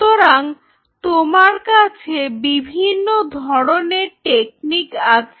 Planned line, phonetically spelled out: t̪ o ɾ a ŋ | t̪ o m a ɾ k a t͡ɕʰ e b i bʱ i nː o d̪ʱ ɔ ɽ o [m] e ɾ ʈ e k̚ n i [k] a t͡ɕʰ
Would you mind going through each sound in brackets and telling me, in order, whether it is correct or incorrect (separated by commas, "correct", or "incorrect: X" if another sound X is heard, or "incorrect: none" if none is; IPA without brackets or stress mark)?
incorrect: n, correct